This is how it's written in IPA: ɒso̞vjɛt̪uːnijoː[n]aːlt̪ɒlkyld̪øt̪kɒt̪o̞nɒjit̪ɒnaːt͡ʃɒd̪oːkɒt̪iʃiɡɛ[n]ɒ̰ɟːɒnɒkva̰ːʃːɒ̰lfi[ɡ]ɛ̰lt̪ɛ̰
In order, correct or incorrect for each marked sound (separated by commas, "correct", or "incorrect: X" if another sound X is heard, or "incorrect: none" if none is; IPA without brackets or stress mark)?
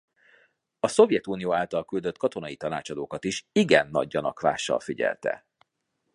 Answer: incorrect: none, incorrect: nː, incorrect: ɟ